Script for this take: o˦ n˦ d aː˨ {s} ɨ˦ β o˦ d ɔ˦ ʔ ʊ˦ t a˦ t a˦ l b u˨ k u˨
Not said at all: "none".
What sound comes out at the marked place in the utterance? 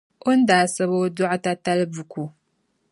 s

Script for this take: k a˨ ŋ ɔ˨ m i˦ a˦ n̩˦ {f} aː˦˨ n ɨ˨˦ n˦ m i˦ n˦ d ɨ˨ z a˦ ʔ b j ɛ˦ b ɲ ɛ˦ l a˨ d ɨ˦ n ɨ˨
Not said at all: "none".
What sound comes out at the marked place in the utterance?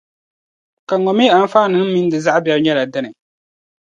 f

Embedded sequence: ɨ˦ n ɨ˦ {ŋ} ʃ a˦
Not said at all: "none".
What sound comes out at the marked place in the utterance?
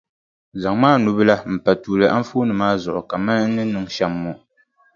ŋ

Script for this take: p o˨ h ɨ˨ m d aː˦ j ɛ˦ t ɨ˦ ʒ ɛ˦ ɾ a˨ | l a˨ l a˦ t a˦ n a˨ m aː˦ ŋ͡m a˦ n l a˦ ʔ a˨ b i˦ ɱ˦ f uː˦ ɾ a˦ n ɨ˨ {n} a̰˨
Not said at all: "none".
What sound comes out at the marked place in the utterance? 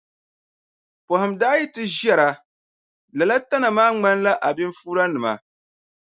m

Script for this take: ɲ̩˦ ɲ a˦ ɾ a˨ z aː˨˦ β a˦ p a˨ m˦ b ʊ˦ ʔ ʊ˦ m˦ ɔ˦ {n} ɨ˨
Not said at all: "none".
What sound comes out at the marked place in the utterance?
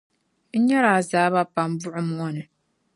n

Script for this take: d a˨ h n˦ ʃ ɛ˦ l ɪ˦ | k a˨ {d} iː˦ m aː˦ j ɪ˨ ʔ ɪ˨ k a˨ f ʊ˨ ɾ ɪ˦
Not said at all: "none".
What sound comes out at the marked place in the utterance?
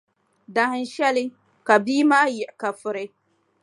b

